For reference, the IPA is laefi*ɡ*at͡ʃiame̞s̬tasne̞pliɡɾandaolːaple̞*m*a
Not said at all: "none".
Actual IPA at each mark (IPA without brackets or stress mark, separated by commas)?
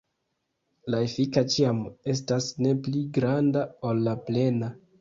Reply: k, n